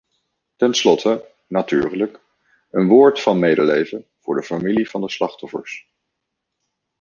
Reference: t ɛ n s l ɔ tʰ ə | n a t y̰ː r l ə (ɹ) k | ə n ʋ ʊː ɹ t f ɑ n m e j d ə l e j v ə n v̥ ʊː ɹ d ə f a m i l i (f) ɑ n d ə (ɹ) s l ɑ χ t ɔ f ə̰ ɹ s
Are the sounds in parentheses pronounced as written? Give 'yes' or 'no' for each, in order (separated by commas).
no, no, no